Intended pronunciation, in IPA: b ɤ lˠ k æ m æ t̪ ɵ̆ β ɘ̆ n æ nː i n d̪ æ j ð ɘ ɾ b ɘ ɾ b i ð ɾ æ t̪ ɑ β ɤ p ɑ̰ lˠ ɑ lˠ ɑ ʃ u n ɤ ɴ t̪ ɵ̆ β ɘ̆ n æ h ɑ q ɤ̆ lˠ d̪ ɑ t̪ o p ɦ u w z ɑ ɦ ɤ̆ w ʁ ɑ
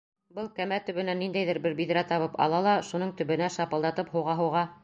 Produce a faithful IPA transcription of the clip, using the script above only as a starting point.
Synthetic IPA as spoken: b ɤ lˠ k æ m æ t̪ ɵ̆ β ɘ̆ n æ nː i n d̪ æ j ð ɘ ɾ b ɘ ɾ b i ð ɾ æ t̪ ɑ β ɤ p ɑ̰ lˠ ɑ lˠ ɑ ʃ u n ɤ ɴ t̪ ɵ̆ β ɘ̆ n æ ʃ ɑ p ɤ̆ lˠ d̪ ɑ t̪ ɤ p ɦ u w ʁ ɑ ɦ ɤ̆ w ʁ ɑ